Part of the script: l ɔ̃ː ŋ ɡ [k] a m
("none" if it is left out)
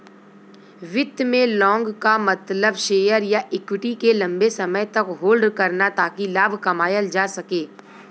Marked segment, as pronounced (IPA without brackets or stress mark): k